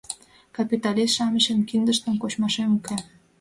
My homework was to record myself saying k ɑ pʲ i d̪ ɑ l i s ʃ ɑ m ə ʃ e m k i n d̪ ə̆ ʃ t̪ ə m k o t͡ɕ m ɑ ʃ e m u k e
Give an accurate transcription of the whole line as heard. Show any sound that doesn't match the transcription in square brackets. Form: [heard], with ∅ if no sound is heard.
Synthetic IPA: k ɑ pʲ i [t̪] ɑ l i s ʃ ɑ m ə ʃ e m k i n d̪ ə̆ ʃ t̪ ə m k o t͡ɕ m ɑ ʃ e m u k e